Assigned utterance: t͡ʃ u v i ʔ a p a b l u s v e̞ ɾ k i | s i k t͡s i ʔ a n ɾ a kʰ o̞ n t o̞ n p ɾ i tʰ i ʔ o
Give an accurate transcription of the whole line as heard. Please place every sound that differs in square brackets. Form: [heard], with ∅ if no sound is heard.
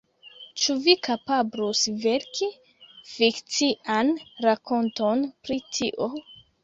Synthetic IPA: t͡ʃ u v i [k] a p a b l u s v e̞ ɾ k i | [f] i k t͡s i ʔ a n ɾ a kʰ o̞ n t o̞ n p ɾ i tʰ i ʔ o